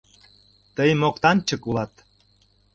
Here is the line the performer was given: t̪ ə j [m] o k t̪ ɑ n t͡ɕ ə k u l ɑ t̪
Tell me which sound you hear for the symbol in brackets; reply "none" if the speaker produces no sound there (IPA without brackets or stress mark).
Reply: m